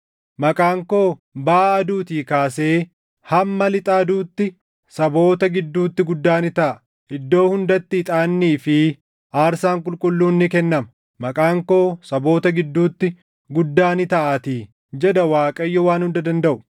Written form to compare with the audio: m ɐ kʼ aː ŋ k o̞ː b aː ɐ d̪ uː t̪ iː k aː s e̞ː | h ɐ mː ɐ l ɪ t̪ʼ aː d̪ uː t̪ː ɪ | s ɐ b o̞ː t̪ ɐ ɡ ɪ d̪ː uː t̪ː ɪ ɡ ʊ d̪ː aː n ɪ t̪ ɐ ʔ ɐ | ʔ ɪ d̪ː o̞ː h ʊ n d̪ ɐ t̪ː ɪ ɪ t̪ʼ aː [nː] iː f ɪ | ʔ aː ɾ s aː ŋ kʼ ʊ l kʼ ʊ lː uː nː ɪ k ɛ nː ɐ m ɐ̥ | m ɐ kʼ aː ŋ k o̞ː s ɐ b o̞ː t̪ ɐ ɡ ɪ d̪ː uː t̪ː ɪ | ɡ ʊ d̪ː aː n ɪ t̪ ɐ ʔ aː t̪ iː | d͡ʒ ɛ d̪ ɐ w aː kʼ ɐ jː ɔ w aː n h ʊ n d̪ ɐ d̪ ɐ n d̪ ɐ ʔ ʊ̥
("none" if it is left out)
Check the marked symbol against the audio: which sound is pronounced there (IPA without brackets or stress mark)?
nː